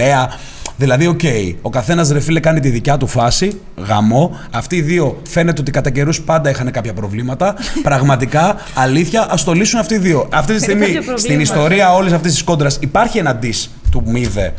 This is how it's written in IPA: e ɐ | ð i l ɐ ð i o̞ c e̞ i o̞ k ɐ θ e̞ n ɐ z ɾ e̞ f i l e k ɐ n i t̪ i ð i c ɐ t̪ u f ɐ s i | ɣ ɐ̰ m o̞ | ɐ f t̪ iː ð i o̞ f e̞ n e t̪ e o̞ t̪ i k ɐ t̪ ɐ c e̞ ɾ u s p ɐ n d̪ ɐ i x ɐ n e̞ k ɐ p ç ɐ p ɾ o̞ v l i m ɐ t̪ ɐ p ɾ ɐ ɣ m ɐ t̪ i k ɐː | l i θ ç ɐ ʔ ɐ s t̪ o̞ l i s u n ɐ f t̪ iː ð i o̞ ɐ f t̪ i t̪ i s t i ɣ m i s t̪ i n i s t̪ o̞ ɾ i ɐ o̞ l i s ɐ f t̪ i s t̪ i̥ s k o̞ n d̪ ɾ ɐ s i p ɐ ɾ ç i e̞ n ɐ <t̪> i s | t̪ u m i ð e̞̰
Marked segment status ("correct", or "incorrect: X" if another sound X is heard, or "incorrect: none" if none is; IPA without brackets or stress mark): incorrect: d̪